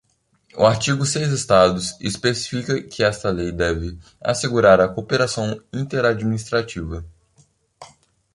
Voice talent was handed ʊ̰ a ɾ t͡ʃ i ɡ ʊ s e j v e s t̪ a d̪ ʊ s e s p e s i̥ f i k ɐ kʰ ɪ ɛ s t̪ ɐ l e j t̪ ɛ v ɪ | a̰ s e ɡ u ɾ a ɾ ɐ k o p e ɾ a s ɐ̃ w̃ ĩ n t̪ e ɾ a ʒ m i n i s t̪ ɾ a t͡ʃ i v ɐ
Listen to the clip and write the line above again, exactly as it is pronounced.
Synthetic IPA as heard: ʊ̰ a ɾ t͡ʃ i ɡ ʊ s e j z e s t̪ a d̪ ʊ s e s p e s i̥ f i k ɐ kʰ ɪ ɛ s t̪ ɐ l e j d̪ ɛ v ɪ | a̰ s e ɡ u ɾ a ɾ ɐ k o p e ɾ a s ɐ̃ w̃ ĩ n t̪ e ɾ a d͡ʒ m i n i s t̪ ɾ a t͡ʃ i v ɐ